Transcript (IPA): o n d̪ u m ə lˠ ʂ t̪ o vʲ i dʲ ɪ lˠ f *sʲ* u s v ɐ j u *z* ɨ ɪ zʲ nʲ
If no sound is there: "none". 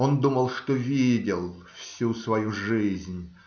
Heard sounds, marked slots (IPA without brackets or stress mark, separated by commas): sʲ, ʐ